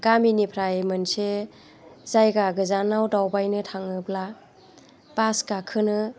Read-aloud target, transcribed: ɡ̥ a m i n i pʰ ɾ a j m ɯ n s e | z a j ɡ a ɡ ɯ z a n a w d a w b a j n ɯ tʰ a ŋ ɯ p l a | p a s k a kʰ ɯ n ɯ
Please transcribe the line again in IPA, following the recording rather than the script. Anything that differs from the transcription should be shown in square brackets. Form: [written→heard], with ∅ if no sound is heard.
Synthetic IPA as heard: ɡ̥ a m i n i pʰ ɾ a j m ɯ n s e | z a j ɡ a ɡ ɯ z a n a w d a w b a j n ɯ tʰ a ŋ ɯ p l a | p a s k a kʰ ɯ n ɯ